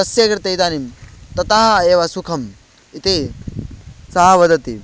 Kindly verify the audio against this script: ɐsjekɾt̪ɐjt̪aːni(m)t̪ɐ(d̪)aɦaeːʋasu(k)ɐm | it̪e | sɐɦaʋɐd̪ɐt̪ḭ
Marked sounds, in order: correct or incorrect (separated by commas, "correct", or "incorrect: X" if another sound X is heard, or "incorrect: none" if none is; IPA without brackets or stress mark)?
correct, incorrect: t̪, incorrect: kʰ